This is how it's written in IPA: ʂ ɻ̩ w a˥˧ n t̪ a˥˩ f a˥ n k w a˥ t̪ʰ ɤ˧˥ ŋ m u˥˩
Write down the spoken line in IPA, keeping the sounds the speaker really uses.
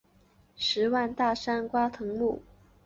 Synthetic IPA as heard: ʂ ɻ̩ w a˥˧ n t̪ a˥˩ ʂ a˥ n k w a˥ t̪ʰ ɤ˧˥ ŋ m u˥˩